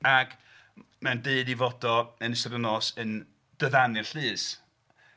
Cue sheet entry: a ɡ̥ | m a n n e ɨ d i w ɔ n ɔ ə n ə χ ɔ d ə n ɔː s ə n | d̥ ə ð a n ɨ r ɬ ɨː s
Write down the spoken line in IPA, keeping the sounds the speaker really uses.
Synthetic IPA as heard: a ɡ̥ | m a n d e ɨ d i v ɔ d ɔ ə n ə s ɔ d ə n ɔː s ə n | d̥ ə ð a n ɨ r ɬ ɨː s